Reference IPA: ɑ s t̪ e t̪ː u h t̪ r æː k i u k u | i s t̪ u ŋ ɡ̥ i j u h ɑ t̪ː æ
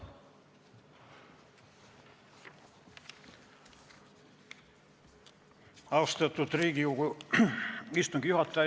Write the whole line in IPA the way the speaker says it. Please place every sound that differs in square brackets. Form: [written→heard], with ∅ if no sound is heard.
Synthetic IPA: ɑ s t̪ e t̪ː u [h→∅] t̪ r [æː→iː] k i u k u | i s t̪ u ŋ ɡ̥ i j u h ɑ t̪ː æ

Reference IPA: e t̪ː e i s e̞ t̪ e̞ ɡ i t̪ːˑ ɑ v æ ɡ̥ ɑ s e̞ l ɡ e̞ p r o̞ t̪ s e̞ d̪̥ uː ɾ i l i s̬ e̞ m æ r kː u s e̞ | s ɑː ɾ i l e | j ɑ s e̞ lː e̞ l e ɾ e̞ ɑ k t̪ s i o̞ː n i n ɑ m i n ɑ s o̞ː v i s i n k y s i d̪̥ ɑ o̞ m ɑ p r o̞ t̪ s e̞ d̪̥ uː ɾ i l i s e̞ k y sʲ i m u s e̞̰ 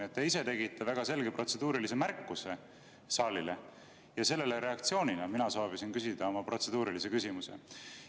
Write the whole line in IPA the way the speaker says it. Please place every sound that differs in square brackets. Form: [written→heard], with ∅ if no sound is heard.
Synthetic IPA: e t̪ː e i s e̞ t̪ e̞ ɡ i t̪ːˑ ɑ v æ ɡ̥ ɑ s e̞ l ɡ e̞ p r o̞ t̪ s e̞ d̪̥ uː ɾ i l i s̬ e̞ m æ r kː u s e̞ | s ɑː [ɾ→l] i l e | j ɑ s e̞ lː e̞ l e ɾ e̞ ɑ k t̪ s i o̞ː n i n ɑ m i n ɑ s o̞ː v i s i n k y s i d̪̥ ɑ o̞ m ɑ p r o̞ t̪ s e̞ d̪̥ uː ɾ i l i s e̞ k y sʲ i m u s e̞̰

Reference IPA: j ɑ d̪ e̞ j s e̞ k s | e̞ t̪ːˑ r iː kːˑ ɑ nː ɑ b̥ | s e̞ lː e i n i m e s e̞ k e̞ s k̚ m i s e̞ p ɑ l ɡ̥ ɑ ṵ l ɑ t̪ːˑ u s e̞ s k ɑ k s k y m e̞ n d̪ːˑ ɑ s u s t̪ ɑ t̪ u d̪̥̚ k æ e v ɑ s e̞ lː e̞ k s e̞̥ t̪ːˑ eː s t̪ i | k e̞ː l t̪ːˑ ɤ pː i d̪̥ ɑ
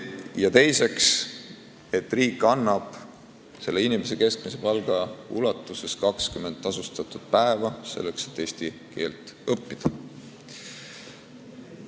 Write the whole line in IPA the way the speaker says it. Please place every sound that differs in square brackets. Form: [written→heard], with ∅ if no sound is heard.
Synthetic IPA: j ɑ [d̪→t̪] e̞ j s e̞ k s | e̞ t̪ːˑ r iː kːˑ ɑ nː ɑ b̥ | s e̞ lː e i n i m e s e̞ k e̞ s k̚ m i s e̞ p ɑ l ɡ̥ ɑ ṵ l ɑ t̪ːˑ u s e̞ s k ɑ k s k y m e̞ n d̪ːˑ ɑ s u s t̪ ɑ t̪ u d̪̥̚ [k→p] æ e v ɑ s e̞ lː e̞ k s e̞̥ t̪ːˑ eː s t̪ i | k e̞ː l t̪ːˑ ɤ pː i d̪̥ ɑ

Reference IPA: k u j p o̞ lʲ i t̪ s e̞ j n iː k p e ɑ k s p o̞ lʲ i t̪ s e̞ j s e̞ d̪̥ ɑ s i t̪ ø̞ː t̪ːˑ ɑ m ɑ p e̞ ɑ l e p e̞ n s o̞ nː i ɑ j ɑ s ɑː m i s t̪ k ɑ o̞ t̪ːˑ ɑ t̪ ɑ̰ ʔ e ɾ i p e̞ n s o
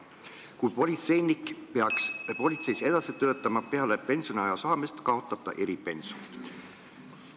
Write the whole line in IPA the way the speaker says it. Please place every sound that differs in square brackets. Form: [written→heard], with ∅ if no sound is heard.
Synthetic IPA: k u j p o̞ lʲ i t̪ s e̞ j n [iː→i] k p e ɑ k s p o̞ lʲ i t̪ s e̞ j s e̞ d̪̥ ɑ s i t̪ ø̞ː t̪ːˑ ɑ m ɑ p e̞ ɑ l e p e̞ n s o̞ [nː→n] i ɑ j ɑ s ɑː m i s t̪ k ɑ o̞ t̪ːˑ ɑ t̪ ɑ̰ ʔ e ɾ i p e̞ n s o

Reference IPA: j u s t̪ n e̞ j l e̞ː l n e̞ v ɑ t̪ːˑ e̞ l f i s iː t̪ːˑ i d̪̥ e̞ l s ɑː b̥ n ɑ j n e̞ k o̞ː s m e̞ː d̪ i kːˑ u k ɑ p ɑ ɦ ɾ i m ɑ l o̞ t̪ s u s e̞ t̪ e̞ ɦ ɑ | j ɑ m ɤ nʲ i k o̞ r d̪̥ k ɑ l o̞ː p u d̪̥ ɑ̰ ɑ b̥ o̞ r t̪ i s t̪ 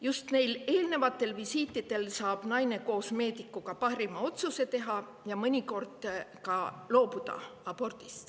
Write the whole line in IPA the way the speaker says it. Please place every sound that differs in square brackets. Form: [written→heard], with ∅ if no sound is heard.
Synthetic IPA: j u s t̪ n e̞ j l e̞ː l n e̞ v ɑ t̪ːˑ e̞ l [f→v] i s iː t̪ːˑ i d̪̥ e̞ l s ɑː b̥ n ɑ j n e̞ k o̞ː s m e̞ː d̪ i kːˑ u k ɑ p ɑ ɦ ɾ i m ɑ [l→∅] o̞ t̪ s u s e̞ t̪ e̞ ɦ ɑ | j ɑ m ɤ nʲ i k o̞ r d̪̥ k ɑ l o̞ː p u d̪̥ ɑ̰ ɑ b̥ o̞ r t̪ i s t̪

